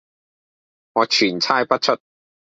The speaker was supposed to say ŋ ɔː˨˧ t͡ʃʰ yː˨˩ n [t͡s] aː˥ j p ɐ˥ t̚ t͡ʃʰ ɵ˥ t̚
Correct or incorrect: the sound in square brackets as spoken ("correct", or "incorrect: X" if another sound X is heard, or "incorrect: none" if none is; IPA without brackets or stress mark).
incorrect: t͡sʰ